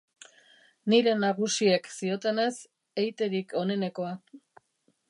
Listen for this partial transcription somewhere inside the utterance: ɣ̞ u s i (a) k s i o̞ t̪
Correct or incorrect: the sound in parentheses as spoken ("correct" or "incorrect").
incorrect